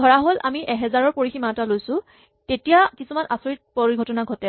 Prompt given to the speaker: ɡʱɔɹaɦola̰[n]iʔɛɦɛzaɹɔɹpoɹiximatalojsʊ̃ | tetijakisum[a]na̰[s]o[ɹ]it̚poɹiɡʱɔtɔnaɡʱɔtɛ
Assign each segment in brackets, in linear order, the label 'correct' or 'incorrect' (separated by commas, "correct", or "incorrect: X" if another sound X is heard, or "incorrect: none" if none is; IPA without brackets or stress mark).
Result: incorrect: m, correct, correct, correct